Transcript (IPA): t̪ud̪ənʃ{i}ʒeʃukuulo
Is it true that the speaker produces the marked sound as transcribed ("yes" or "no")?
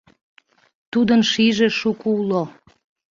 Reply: yes